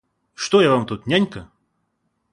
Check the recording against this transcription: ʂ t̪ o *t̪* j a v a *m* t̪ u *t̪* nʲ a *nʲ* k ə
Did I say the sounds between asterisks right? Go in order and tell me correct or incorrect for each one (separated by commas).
incorrect, correct, correct, correct